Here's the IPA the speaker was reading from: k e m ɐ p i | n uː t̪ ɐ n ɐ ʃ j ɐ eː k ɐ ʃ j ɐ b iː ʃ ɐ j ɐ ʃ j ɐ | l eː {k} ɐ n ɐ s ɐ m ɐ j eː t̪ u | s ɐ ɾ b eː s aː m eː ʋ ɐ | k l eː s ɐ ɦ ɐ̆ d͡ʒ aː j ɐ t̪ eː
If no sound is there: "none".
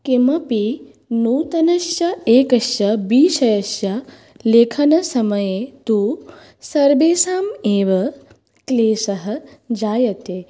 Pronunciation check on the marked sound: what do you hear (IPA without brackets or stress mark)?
kʰ